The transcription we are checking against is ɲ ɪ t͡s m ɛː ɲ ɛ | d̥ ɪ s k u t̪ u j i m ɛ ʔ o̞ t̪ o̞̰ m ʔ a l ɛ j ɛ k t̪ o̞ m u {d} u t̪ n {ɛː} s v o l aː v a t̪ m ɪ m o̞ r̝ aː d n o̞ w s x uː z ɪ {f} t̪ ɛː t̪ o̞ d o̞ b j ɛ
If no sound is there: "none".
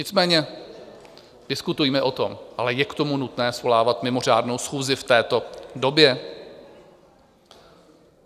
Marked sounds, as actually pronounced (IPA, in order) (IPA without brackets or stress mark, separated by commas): n, ɛː, f